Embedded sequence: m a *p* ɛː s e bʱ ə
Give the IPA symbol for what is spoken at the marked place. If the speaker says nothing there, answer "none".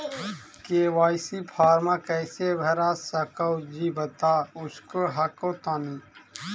k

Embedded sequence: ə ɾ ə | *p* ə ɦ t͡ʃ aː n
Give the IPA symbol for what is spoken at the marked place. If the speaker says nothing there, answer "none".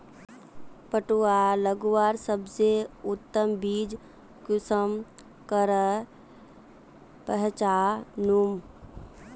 p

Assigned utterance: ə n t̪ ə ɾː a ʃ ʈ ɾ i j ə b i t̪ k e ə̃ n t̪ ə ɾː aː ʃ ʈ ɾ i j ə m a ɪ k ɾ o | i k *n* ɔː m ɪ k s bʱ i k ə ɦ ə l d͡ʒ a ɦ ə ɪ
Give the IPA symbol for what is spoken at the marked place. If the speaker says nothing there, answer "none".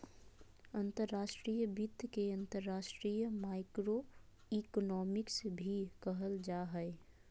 n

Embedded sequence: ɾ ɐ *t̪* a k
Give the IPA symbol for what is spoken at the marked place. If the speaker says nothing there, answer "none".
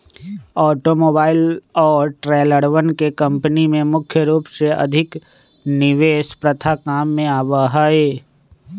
t̪ʰ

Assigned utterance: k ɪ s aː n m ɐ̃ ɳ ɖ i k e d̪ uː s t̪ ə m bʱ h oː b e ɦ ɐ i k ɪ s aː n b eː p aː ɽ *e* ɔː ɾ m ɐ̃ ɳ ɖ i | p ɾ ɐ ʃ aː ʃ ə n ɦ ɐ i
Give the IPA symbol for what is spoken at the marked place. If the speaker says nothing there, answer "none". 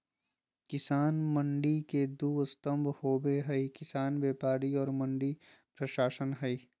i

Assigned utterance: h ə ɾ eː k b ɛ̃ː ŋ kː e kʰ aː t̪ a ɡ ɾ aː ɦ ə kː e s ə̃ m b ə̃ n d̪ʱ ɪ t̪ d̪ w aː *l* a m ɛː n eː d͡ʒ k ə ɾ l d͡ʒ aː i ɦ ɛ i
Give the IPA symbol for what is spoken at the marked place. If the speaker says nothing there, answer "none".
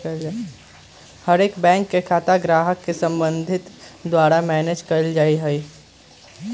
ɾ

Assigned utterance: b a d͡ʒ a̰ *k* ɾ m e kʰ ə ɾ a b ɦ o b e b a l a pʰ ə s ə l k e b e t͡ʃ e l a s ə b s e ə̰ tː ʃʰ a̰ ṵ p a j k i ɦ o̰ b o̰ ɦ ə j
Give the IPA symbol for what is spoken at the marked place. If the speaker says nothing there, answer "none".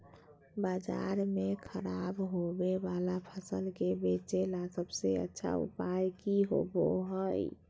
none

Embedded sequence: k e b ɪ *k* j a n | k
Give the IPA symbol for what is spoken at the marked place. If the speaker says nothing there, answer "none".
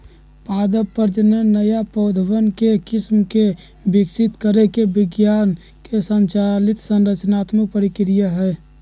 ɡ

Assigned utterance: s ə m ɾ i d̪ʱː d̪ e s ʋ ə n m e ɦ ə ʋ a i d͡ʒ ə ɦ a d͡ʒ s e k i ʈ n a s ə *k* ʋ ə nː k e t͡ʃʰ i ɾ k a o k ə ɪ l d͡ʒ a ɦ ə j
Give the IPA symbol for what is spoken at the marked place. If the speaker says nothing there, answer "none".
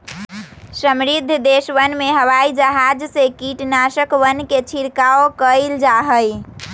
k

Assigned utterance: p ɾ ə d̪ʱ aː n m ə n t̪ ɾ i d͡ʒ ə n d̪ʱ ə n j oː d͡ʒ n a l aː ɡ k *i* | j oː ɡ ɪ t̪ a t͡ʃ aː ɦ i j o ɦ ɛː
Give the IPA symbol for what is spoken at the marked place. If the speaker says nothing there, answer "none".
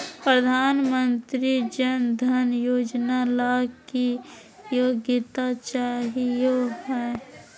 i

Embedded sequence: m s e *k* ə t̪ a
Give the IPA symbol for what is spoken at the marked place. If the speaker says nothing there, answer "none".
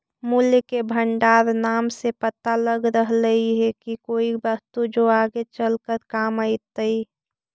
p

